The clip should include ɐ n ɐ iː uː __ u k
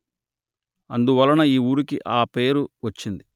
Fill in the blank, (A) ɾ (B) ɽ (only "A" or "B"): A